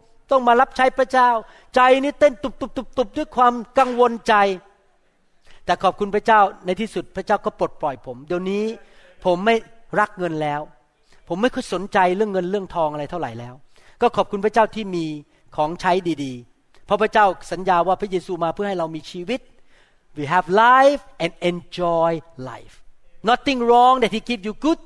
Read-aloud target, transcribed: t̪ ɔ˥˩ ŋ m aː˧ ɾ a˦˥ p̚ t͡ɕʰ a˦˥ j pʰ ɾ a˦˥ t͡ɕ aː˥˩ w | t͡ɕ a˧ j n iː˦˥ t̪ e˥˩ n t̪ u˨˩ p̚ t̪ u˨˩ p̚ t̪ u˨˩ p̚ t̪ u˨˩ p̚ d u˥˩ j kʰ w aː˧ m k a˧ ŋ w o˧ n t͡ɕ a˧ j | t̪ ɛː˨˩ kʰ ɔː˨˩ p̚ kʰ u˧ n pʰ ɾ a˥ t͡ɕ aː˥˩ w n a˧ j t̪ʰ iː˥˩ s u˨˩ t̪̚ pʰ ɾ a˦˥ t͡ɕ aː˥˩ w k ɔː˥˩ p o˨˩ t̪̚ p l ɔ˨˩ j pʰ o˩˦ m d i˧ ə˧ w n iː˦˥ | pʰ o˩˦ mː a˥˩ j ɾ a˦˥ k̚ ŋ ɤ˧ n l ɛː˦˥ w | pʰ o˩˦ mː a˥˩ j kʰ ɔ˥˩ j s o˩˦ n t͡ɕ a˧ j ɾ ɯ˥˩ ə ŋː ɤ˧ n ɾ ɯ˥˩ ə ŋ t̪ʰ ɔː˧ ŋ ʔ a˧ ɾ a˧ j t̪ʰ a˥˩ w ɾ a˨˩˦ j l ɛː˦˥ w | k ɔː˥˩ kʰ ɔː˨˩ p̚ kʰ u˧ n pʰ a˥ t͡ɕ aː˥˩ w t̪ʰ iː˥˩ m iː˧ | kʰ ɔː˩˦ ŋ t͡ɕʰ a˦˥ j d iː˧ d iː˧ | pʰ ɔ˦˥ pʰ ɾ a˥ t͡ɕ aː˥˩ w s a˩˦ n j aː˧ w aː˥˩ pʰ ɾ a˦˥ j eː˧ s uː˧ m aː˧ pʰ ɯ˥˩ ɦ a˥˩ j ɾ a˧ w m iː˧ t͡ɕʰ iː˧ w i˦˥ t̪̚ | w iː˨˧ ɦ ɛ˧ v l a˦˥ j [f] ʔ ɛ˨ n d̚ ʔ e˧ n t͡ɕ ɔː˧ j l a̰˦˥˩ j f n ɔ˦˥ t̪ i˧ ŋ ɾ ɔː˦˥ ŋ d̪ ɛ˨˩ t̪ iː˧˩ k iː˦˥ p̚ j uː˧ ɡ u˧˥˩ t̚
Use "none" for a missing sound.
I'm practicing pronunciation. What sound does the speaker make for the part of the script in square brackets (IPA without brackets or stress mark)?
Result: f